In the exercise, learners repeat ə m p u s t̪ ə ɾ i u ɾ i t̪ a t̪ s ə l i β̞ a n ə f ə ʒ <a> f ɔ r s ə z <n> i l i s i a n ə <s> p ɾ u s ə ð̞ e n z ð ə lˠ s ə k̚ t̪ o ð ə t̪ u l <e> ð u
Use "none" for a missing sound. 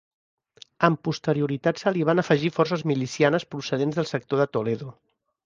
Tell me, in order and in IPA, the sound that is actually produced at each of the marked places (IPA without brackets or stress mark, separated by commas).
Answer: i, m, s, e